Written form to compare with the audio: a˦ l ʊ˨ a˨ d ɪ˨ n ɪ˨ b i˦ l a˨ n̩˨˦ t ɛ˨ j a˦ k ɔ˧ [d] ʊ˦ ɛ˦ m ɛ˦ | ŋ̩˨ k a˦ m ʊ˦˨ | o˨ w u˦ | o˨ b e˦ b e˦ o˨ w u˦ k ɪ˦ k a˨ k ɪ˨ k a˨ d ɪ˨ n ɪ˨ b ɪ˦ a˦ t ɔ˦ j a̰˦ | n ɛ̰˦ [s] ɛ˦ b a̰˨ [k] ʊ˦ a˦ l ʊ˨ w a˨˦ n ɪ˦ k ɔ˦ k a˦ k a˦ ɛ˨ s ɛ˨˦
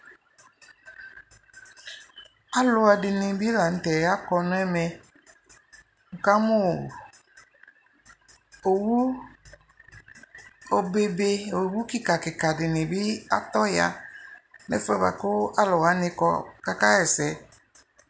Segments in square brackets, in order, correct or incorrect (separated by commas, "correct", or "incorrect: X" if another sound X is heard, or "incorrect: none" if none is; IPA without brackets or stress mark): incorrect: n, incorrect: f, correct